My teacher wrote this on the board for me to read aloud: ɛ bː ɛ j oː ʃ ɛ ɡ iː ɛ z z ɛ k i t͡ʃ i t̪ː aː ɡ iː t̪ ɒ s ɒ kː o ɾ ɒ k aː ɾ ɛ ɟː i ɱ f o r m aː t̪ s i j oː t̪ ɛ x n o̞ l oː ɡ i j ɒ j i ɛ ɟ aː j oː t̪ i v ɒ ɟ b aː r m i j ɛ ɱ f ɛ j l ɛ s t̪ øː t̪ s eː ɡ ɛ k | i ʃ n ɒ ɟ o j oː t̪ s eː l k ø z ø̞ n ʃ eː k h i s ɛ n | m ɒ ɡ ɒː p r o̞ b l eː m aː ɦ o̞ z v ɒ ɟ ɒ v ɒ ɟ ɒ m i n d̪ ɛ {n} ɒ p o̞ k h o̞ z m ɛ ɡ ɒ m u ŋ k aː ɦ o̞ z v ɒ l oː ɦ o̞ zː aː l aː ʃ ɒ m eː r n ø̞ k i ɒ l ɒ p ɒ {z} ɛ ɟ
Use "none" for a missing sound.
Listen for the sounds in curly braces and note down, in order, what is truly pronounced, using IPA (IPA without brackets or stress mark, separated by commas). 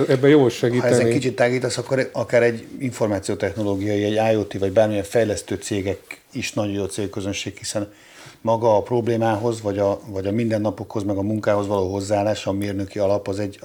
nː, z